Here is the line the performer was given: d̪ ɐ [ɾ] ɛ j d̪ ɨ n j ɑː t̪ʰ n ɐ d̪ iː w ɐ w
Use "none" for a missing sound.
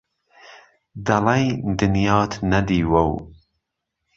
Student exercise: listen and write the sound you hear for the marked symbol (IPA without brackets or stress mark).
l